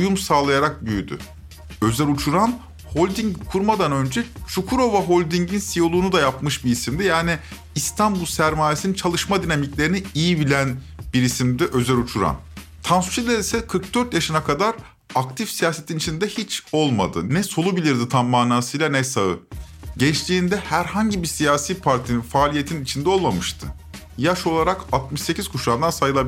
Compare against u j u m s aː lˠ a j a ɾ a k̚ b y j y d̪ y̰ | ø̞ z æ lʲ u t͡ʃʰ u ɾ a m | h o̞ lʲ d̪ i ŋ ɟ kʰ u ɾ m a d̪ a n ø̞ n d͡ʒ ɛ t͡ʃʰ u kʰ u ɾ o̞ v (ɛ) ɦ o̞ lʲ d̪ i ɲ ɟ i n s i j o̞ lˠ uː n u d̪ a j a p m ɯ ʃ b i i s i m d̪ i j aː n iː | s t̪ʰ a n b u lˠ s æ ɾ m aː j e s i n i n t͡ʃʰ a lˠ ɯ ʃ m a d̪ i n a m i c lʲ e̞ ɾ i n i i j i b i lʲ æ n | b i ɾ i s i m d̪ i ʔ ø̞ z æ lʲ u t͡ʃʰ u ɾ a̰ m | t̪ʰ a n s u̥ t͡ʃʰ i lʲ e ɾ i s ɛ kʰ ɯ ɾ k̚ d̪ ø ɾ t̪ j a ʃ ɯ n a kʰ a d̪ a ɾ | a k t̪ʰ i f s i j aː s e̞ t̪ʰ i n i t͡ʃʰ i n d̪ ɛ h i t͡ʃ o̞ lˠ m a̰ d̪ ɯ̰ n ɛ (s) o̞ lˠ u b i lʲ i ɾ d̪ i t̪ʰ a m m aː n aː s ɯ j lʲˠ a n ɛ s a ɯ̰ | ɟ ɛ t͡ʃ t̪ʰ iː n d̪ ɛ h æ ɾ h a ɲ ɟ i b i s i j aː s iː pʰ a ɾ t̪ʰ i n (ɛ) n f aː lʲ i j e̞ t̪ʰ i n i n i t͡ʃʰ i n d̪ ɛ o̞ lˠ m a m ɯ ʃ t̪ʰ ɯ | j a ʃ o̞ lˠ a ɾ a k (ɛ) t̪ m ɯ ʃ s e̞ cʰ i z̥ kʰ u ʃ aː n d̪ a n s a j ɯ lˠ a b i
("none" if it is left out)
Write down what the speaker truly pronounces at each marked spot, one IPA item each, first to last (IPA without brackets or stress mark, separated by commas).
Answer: a, s, i, a